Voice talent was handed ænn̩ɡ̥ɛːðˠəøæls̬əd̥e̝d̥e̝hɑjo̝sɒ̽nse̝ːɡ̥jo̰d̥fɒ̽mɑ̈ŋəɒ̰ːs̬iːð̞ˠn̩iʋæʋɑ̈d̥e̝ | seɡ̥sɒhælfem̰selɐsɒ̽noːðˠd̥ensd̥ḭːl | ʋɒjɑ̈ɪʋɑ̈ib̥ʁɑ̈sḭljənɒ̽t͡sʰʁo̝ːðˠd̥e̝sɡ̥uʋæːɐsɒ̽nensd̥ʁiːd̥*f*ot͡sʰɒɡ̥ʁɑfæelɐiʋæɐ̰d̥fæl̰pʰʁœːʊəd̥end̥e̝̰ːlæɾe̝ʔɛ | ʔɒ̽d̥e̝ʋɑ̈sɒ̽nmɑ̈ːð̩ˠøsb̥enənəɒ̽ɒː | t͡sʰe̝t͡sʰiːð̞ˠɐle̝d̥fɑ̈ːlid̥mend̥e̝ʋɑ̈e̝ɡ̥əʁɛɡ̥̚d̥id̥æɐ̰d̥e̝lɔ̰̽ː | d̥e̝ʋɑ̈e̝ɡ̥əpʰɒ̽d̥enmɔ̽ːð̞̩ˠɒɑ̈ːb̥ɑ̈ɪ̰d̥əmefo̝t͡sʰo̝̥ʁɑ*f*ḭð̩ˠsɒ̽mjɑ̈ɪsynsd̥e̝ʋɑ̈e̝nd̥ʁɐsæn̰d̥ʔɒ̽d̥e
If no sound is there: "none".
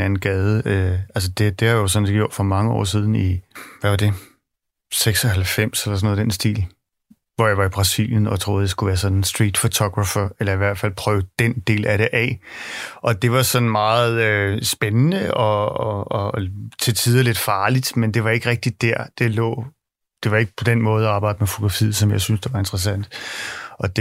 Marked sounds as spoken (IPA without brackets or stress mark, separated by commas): f, f